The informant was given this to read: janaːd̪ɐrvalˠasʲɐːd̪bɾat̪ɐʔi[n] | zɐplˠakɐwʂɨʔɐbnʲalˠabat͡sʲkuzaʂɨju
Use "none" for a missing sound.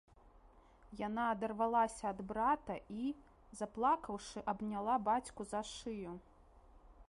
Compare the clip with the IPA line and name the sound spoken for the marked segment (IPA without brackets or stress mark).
none